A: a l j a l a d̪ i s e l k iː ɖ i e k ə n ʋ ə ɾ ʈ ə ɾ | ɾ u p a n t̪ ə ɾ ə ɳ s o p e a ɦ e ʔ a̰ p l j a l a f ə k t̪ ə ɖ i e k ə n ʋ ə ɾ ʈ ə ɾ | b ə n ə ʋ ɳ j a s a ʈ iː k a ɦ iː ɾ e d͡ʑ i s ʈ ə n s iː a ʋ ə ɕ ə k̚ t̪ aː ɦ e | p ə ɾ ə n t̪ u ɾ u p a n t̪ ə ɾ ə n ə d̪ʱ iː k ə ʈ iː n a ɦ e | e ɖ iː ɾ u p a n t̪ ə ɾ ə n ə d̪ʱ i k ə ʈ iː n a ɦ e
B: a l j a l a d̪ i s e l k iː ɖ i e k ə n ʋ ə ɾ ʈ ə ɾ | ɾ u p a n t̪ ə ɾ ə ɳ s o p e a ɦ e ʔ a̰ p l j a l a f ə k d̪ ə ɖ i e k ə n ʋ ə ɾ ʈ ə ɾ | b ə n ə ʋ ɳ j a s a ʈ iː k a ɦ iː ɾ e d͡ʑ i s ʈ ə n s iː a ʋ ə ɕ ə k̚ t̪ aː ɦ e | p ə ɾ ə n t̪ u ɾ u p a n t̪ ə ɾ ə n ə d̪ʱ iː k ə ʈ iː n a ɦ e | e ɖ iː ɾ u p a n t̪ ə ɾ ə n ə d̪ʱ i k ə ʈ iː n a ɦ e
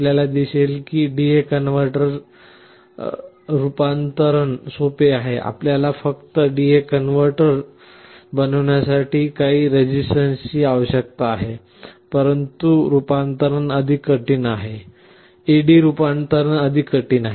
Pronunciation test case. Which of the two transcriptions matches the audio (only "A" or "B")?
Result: A